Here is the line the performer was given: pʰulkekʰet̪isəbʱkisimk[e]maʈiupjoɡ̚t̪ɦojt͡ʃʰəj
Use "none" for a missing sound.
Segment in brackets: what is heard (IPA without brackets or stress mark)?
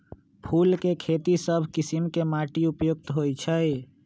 e